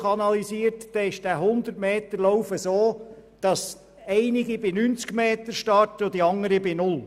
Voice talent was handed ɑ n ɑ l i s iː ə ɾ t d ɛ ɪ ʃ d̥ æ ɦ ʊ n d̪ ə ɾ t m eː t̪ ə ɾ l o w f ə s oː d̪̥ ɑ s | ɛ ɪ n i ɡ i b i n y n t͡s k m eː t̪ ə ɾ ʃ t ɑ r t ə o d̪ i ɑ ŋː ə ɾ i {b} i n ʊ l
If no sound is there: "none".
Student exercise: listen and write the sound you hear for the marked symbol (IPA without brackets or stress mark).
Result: b